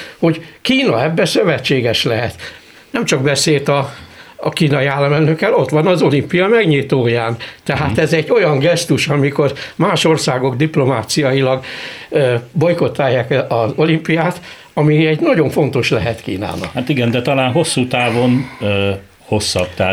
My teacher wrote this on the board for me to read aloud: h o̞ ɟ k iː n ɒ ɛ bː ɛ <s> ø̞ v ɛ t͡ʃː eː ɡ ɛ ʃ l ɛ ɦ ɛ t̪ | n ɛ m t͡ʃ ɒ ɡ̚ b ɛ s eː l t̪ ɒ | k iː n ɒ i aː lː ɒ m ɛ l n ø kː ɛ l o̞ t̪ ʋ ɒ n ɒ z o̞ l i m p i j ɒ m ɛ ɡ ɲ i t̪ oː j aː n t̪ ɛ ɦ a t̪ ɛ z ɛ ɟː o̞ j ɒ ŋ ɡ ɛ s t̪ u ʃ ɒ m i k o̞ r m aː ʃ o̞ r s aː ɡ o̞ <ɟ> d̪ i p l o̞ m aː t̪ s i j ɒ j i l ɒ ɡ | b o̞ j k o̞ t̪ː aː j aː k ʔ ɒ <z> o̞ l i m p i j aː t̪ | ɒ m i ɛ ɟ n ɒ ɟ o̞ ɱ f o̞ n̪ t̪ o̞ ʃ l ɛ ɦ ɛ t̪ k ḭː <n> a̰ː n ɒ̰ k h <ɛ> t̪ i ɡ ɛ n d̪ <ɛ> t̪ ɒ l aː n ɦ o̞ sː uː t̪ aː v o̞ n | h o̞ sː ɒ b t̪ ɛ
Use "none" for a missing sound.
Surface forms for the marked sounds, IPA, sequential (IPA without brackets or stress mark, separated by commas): s, ɡ, z, n, a, ɛ